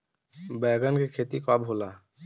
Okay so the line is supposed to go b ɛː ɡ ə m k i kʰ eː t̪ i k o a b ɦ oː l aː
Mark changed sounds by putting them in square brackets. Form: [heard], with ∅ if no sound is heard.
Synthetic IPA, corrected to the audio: b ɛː ɡ ə [n] k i kʰ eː t̪ i k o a b ɦ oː l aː